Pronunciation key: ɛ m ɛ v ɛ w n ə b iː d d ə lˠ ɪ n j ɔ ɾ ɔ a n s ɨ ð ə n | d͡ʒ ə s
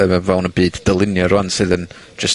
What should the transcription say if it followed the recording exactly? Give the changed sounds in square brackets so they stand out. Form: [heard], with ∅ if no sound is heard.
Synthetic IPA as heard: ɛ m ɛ v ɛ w n ə b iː d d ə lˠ ɪ n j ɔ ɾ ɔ a n s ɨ ð ə n | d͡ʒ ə s